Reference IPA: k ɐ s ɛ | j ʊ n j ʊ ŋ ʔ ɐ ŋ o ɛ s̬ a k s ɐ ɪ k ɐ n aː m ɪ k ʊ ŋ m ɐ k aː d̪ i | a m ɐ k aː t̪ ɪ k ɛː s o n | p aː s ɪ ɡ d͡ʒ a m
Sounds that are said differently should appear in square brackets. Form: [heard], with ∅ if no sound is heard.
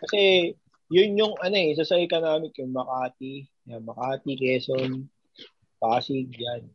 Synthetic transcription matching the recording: k ɐ s ɛ | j ʊ n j ʊ ŋ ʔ ɐ [n] o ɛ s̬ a [∅] s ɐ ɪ k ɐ n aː m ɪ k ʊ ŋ m ɐ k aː [t̪] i | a m ɐ k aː t̪ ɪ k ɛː s o n | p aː s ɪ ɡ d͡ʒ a [n]